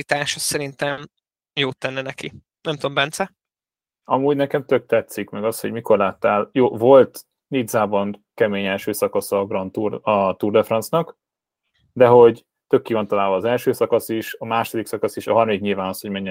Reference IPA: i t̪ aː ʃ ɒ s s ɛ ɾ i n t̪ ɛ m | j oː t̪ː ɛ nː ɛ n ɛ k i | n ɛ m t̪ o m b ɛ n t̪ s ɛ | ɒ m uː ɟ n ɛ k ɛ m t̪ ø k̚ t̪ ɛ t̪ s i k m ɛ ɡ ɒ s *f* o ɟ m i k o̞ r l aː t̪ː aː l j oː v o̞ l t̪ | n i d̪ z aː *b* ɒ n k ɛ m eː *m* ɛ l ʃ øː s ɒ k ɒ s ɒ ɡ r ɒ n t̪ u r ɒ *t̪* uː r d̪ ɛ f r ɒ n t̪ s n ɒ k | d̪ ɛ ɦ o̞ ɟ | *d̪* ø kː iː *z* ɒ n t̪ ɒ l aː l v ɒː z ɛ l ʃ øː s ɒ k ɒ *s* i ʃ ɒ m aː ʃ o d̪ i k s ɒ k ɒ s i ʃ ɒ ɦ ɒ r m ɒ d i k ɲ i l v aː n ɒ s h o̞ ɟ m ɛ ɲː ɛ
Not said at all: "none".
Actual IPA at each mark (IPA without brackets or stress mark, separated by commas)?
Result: h, b, ɲ, t̪, t̪, v, s